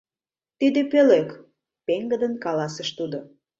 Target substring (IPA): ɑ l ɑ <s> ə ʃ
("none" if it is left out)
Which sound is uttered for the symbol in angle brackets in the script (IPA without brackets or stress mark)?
s